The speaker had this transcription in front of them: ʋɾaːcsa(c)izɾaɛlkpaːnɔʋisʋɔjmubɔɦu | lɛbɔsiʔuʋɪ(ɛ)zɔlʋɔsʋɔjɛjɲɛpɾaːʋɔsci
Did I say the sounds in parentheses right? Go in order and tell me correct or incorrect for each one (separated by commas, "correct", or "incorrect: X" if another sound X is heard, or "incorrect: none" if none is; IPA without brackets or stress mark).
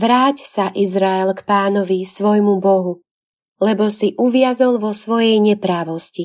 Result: incorrect: ʔ, incorrect: a